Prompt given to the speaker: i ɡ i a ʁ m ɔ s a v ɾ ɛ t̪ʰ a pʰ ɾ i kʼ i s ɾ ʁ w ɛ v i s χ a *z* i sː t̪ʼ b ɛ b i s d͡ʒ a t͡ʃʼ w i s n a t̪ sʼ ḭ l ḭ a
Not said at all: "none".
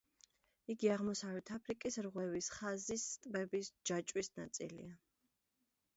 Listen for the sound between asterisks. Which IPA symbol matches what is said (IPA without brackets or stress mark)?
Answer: z